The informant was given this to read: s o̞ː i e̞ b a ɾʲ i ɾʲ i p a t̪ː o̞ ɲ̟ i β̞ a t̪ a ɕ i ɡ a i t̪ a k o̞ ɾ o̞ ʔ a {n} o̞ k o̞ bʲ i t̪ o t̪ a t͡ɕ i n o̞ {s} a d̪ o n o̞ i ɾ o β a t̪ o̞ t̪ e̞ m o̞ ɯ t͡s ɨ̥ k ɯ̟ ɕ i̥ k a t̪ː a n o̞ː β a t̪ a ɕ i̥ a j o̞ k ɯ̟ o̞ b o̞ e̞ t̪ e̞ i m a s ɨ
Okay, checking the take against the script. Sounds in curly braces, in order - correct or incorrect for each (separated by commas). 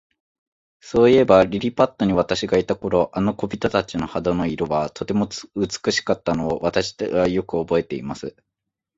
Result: correct, incorrect